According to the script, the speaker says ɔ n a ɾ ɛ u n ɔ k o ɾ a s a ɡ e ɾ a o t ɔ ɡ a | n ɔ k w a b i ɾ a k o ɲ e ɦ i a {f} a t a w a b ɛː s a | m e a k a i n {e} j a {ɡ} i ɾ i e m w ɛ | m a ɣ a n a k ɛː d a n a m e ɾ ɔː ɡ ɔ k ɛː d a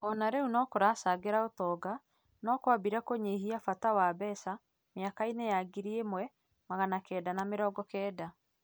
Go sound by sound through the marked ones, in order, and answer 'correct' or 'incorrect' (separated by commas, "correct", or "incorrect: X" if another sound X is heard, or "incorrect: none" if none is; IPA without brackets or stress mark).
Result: correct, correct, correct